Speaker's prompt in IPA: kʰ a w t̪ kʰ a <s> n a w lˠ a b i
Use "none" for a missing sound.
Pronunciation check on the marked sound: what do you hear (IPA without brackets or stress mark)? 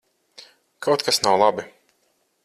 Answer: s